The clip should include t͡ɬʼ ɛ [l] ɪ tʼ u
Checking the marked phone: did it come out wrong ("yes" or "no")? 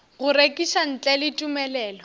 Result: no